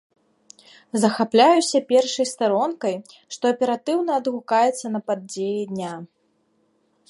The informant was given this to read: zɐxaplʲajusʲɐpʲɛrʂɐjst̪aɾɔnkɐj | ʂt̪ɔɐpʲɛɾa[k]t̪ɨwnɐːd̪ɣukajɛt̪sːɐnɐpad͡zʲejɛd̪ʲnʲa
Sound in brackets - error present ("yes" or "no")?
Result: yes